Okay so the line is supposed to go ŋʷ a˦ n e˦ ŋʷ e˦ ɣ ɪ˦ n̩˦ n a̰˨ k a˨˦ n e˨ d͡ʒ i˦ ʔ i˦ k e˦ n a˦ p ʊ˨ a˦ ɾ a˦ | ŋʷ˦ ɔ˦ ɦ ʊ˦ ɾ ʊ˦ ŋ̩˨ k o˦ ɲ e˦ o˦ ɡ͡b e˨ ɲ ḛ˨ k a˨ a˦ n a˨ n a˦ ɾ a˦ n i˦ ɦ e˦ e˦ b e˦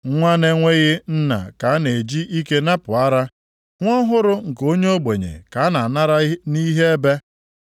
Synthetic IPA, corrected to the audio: ŋʷ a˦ n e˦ ŋʷ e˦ ɣ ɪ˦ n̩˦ n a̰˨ k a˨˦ n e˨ d͡ʒ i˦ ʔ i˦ k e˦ n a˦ p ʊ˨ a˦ ɾ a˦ | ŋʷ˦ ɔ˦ ɦ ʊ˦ ɾ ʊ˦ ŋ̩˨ k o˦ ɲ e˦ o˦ ɡ͡b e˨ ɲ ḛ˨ k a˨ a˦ n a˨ n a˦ ɾ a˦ n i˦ ɦ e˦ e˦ b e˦